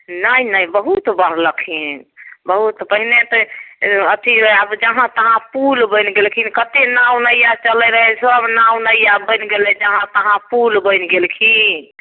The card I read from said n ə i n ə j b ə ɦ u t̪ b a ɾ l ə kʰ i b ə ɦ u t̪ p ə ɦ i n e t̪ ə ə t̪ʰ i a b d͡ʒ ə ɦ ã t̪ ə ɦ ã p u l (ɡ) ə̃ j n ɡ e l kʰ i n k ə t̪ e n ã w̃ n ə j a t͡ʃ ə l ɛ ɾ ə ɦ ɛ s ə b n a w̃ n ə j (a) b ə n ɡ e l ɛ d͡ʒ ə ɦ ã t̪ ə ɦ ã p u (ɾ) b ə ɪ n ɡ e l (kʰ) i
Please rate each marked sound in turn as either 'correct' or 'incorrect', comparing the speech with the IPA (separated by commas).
incorrect, correct, incorrect, correct